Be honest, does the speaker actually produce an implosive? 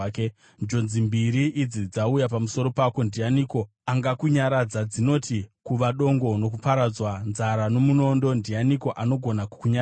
yes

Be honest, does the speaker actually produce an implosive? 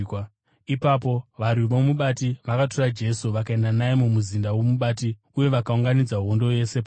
yes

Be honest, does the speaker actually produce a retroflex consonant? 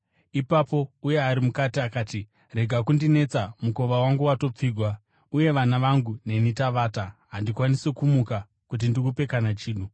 no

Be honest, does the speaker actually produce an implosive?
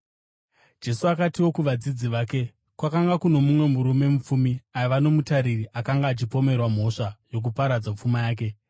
no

